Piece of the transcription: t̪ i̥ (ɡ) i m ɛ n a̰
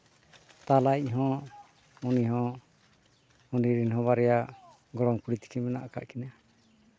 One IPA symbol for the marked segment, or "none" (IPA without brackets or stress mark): k